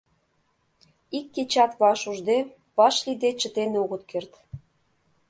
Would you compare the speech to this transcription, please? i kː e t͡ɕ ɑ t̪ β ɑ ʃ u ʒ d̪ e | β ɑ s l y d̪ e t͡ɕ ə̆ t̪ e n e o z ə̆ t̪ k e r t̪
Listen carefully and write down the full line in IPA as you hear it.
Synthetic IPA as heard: i kː e t͡ɕ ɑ t̪ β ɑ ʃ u ʒ d̪ e | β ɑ ʃ l i d̪ e t͡ɕ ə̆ t̪ e n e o ɣ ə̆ t̪ k e r t̪